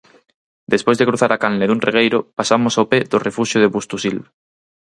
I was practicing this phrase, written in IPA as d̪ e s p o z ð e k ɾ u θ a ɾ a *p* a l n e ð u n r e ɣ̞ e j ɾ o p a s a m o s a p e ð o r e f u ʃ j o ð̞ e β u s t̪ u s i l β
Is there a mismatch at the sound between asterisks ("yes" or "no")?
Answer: yes